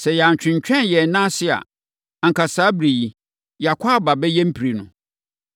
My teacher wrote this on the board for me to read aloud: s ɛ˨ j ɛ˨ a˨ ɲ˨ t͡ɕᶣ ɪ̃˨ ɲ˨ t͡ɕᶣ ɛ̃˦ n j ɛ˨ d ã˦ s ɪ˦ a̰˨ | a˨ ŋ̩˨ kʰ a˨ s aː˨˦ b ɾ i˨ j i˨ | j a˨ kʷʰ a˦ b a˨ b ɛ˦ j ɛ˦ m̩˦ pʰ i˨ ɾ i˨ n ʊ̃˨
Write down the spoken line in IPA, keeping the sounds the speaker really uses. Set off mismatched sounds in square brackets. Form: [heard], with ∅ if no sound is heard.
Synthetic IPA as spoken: s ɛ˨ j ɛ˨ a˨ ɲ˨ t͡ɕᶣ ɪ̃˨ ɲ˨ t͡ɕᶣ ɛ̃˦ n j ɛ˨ [n] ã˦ s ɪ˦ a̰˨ | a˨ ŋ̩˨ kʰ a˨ s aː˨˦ b ɾ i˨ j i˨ | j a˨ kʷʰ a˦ b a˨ b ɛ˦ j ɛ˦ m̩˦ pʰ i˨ ɾ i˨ n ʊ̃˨